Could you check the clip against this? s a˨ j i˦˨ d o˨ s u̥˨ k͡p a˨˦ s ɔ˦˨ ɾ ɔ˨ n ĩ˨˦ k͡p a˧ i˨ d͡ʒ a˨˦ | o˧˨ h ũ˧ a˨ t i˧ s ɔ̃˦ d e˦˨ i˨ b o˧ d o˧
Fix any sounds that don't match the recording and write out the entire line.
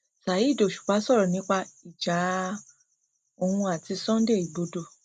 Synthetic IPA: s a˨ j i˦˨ d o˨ ʃ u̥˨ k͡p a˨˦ s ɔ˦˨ ɾ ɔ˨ n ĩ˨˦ k͡p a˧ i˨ d͡ʒ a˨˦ | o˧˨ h ũ˧ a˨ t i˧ s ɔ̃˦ d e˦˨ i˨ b o˧ d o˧